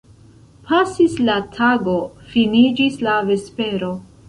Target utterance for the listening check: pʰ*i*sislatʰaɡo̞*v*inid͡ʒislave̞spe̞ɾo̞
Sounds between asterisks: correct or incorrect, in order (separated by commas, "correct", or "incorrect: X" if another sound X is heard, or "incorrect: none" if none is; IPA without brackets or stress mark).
incorrect: a, incorrect: f